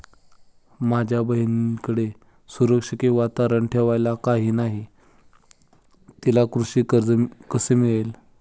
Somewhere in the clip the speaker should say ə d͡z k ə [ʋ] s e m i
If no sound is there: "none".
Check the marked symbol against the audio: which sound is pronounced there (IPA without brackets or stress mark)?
none